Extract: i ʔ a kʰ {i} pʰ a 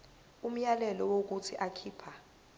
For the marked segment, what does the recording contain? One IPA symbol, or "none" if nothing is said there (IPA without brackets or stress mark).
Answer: iː